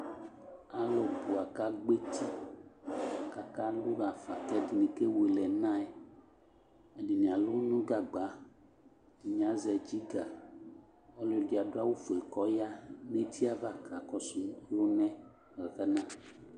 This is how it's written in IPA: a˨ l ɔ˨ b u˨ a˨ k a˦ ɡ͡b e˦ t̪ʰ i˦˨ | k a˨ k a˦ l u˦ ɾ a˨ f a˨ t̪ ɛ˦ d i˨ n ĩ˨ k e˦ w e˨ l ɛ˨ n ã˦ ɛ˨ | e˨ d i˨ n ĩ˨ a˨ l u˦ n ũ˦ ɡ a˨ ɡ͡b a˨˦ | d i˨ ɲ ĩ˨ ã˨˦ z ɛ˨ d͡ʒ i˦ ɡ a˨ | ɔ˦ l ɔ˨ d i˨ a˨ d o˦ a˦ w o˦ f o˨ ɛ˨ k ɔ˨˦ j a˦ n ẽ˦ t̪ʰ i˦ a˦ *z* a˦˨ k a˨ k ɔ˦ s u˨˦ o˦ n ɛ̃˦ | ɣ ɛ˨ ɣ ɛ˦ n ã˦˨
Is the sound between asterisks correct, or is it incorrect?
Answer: incorrect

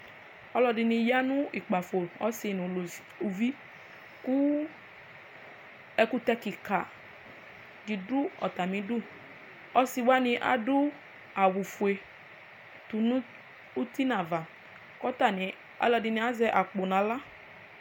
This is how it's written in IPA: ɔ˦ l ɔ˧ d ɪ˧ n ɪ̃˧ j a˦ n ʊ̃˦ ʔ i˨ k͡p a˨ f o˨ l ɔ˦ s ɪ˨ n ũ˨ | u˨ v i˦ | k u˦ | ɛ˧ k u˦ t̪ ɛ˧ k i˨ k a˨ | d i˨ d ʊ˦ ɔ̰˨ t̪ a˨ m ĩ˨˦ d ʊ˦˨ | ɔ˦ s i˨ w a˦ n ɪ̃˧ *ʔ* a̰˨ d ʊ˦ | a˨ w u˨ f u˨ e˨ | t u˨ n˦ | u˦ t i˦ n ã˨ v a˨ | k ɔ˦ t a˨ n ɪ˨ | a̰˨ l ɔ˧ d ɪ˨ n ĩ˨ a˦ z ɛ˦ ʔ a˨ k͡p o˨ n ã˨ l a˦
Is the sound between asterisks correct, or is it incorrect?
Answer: correct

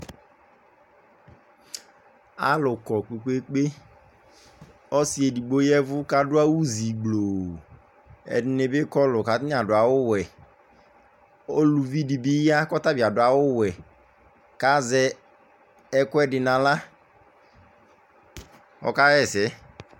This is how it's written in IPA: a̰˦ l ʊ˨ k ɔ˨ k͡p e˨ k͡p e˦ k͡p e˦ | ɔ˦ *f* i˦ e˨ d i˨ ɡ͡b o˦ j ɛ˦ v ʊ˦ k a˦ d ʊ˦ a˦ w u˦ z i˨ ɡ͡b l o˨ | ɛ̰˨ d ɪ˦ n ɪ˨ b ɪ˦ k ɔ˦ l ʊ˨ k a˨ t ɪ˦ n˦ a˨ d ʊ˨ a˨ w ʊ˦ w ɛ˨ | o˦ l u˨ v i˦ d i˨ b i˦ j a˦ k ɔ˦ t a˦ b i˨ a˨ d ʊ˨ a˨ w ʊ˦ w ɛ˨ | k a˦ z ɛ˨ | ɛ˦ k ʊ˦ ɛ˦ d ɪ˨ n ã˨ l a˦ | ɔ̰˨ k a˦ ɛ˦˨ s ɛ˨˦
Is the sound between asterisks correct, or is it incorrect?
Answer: incorrect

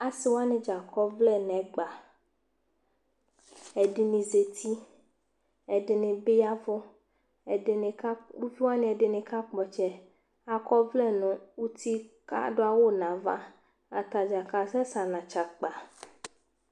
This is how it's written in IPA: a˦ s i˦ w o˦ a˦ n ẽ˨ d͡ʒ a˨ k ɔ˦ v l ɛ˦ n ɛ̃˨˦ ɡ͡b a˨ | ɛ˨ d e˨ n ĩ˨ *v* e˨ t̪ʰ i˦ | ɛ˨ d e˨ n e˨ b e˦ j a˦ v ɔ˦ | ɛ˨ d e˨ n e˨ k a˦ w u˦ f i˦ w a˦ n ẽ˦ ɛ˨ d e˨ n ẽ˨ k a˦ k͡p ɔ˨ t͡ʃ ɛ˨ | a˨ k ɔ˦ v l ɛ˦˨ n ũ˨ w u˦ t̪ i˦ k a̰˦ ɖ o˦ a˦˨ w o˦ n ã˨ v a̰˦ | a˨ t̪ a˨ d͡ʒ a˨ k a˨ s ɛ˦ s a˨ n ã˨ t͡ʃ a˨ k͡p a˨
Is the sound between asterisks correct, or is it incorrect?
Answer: incorrect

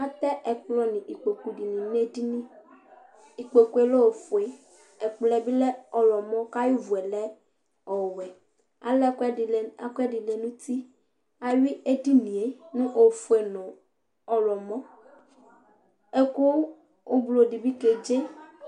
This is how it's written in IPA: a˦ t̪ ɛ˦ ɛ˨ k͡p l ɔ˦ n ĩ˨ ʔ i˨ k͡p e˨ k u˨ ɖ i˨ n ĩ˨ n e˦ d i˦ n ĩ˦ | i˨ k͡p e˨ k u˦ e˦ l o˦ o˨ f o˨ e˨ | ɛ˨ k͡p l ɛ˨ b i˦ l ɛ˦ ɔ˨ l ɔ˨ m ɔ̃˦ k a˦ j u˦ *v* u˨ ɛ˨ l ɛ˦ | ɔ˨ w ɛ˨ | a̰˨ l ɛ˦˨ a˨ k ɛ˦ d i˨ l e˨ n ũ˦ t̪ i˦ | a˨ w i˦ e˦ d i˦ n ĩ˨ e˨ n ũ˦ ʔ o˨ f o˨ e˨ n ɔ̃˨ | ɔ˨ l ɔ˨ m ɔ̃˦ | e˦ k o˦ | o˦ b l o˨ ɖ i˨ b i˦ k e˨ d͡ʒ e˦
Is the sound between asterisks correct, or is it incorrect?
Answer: correct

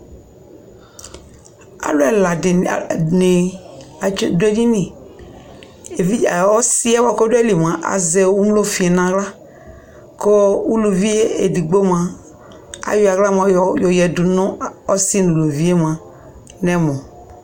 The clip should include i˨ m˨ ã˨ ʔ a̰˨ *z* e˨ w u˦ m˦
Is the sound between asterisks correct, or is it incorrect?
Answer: correct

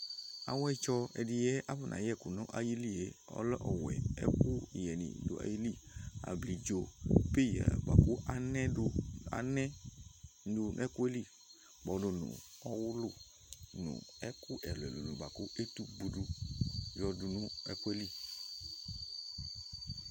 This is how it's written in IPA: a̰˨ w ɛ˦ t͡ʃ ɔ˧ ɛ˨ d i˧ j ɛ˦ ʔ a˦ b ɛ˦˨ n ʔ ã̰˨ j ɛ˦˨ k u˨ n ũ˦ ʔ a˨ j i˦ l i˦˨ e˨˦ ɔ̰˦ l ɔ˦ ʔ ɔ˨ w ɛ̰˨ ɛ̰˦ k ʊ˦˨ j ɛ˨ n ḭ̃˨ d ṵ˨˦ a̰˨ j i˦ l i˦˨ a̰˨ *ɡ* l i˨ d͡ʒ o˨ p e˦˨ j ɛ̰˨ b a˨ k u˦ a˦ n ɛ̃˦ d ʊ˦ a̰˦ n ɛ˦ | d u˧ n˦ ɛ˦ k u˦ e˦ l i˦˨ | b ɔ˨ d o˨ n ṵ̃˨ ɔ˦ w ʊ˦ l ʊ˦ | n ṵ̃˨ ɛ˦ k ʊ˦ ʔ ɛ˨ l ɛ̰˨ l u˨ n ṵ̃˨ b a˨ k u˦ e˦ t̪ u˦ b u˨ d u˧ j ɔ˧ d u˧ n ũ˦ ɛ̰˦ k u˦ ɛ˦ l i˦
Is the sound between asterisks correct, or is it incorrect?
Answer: incorrect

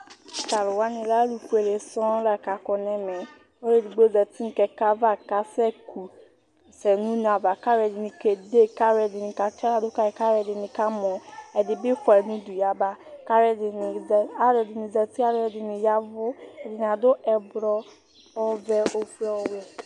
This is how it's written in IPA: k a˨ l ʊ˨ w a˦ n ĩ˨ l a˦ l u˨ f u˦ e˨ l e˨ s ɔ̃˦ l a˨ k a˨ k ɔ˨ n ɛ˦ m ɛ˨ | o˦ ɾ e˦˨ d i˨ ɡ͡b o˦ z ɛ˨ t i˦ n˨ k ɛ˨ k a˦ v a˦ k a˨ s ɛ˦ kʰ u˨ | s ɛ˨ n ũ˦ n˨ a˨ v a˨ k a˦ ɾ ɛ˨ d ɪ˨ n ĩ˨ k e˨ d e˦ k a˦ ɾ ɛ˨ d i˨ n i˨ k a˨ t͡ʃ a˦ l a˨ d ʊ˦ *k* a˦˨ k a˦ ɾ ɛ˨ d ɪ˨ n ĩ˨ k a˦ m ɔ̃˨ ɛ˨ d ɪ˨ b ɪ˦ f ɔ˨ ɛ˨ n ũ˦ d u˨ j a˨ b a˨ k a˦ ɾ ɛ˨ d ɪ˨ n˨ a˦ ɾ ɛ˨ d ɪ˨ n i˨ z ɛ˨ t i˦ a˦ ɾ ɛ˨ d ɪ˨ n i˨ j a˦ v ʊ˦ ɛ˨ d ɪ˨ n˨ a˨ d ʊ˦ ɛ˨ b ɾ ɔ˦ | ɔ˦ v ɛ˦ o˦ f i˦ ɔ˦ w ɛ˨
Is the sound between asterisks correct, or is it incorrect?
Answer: correct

